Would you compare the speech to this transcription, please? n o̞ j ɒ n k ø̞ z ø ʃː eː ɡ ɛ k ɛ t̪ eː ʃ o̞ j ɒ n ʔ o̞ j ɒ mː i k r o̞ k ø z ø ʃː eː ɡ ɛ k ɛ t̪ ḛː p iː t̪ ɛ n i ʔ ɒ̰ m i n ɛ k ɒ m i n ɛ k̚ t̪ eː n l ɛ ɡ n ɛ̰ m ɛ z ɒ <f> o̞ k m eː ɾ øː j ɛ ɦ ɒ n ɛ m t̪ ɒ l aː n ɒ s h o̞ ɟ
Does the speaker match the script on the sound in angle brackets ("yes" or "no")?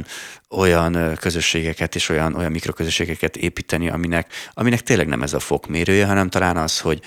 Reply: yes